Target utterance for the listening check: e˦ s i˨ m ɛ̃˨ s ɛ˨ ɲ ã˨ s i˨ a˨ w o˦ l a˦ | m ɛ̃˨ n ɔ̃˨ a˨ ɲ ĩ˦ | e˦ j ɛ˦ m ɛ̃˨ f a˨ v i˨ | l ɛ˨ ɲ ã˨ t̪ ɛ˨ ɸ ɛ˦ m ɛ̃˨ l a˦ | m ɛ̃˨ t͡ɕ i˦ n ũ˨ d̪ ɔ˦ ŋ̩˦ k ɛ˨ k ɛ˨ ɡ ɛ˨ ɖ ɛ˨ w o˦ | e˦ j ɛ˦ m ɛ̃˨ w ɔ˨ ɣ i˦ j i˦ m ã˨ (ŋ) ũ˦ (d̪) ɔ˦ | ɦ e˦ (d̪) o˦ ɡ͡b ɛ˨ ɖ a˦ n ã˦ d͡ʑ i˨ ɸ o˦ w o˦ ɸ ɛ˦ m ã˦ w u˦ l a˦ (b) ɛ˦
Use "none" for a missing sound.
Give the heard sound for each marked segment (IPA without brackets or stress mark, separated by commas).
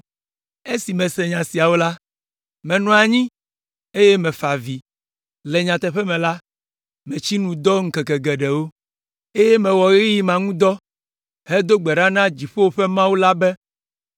ŋ, d̪, d̪, b